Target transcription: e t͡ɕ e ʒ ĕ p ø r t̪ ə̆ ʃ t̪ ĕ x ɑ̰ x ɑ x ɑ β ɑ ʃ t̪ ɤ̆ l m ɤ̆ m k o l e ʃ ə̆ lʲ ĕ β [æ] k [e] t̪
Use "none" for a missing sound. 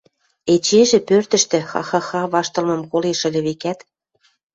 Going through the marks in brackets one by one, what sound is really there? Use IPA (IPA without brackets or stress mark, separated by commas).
e, æ